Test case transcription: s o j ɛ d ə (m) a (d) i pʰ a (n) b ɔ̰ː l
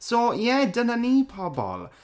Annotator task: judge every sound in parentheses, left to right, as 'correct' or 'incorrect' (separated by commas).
incorrect, incorrect, incorrect